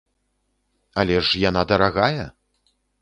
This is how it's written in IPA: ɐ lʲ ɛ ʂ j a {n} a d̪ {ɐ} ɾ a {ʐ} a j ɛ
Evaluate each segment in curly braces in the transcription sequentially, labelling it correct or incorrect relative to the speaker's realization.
correct, correct, incorrect

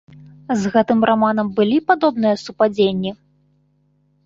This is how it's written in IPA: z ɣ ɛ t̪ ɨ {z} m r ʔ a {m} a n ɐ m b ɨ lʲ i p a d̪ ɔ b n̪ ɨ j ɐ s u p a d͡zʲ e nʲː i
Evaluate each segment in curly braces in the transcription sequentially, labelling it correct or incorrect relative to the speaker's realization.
incorrect, correct

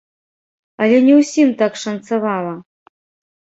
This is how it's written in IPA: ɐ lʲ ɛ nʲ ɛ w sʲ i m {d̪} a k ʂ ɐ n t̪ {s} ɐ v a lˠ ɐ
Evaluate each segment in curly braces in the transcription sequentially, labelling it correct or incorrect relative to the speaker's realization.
incorrect, correct

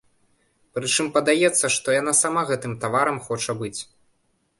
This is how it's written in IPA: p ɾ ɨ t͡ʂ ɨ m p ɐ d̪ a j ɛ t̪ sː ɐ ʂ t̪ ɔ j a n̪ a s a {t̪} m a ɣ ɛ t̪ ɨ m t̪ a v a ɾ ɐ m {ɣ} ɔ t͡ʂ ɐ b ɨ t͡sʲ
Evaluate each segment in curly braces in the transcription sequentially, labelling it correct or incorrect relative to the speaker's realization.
incorrect, incorrect

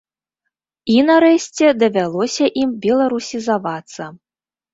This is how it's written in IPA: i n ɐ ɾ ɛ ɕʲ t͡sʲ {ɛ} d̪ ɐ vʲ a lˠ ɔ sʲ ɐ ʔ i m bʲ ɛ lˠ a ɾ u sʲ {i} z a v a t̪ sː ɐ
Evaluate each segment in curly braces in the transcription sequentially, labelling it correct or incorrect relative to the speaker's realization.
correct, correct

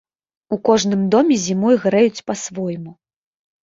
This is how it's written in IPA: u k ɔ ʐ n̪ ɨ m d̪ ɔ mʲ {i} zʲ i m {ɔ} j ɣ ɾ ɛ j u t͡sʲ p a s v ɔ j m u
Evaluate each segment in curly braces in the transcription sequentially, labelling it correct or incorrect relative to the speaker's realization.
incorrect, correct

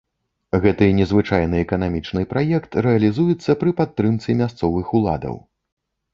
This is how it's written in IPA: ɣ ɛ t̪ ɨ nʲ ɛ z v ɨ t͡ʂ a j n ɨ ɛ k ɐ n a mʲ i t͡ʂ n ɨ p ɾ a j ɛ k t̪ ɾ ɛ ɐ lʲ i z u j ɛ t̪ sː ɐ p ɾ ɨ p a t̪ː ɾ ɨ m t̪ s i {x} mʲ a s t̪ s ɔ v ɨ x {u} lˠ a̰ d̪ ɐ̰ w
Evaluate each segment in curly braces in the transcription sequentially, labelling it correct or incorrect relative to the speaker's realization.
incorrect, correct

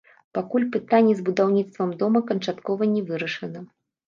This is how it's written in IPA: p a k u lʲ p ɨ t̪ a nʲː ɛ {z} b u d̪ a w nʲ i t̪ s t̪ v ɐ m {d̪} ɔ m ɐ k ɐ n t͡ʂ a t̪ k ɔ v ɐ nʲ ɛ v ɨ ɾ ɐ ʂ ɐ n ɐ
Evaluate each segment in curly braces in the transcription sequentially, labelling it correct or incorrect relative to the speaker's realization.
correct, correct

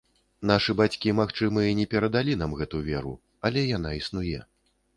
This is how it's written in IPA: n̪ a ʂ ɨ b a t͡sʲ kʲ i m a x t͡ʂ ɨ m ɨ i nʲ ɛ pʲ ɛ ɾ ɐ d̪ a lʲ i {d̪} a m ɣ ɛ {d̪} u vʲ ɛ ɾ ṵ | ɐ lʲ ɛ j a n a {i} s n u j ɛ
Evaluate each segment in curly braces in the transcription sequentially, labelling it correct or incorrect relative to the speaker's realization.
incorrect, incorrect, correct

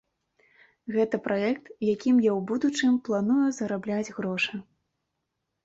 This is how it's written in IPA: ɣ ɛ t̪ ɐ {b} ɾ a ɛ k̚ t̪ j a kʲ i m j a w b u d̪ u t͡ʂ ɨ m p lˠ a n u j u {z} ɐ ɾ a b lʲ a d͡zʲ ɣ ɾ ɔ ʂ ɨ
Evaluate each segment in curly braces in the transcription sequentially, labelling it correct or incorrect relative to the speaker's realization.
incorrect, correct

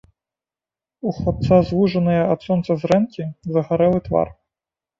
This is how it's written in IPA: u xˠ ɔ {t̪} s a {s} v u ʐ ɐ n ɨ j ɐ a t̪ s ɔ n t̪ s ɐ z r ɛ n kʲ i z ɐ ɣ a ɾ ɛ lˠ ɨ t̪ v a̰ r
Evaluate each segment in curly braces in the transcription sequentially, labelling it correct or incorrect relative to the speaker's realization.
correct, incorrect

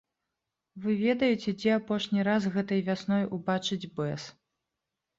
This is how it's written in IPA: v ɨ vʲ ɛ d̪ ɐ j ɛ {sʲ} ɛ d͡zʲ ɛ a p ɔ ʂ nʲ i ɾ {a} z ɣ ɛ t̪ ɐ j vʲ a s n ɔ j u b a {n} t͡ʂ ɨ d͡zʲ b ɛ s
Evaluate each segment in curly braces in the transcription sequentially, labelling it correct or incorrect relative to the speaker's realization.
incorrect, correct, incorrect

